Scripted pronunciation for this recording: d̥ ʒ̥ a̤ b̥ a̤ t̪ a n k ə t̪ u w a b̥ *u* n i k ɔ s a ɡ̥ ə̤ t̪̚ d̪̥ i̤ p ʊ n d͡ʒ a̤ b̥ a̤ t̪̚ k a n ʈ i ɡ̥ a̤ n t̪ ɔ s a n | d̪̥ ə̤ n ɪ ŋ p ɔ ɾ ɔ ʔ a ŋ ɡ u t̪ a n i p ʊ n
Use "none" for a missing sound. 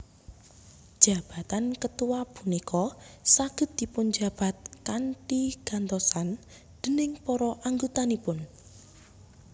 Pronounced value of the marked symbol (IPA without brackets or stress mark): u